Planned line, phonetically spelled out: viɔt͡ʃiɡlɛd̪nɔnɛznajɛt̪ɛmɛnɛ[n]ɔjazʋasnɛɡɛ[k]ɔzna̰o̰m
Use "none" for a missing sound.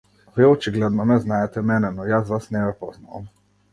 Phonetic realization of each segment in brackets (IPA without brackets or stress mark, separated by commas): n, p